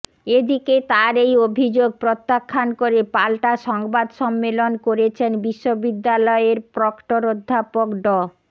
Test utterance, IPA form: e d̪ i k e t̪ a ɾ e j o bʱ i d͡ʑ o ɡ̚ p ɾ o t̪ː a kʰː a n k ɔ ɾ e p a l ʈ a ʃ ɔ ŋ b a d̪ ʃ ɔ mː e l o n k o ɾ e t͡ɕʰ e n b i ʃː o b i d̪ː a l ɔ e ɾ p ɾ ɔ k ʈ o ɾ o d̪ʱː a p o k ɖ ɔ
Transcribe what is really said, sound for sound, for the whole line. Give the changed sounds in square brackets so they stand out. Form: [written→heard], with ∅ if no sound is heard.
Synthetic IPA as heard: e d̪ i k e t̪ a ɾ e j o bʱ i d͡ʑ o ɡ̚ p ɾ o t̪ː a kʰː a n k [ɔ→o] ɾ e p a l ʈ a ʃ ɔ ŋ b a d̪ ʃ ɔ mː e l o n k o ɾ e t͡ɕʰ e n b i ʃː o b i d̪ː a l ɔ e ɾ p ɾ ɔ k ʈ o ɾ o d̪ʱː a p o k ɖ ɔ